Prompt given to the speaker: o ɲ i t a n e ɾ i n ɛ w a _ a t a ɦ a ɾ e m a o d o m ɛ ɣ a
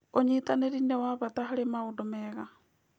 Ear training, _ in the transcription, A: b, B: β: B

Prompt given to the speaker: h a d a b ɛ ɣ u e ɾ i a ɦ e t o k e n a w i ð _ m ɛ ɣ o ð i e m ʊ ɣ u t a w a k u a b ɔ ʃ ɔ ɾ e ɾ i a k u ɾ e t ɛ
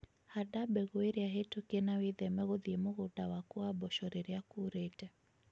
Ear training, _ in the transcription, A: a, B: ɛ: B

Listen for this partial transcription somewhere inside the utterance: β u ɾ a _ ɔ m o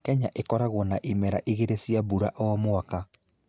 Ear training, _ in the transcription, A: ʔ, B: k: A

